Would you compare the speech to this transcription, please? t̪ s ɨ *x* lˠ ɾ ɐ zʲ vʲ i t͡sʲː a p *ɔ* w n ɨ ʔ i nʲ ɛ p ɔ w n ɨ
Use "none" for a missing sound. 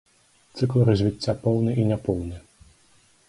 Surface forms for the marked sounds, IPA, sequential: k, ɔ

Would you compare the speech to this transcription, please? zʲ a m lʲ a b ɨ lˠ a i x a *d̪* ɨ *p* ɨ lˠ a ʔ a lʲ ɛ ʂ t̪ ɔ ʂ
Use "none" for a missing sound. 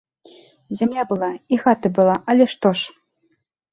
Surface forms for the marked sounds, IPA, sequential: t̪, b

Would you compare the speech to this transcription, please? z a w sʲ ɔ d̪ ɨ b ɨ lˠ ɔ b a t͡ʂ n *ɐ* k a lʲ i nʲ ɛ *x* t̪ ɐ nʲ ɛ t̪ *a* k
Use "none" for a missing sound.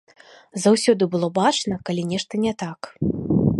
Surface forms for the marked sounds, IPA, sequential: ɐ, ʂ, a

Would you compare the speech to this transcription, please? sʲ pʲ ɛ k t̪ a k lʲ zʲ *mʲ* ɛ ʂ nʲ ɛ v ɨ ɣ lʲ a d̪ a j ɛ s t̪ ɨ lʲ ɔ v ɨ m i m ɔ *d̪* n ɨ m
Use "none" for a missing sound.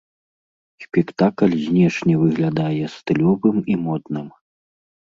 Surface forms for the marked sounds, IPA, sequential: nʲ, d̪

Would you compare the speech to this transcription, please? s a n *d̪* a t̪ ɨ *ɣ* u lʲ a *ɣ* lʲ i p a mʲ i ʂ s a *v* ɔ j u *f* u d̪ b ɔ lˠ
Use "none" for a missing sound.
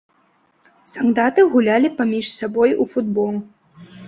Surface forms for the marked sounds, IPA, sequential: d̪, ɣ, none, b, f

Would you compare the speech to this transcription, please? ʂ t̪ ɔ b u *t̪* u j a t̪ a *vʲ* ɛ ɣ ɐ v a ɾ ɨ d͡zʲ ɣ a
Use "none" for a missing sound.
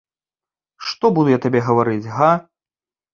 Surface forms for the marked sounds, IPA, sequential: d̪, bʲ

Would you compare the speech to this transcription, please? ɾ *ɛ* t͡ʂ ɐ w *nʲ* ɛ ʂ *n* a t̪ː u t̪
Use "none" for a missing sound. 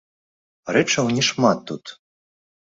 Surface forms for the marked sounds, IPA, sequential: ɛ, nʲ, m

